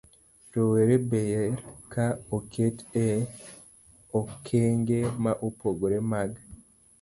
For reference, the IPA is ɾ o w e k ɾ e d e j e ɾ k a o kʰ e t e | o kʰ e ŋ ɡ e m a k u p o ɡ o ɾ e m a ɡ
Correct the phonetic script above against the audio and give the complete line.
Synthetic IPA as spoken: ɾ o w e ɾ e b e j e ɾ k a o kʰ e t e | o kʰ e ŋ ɡ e m a ʔ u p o ɡ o ɾ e m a ɡ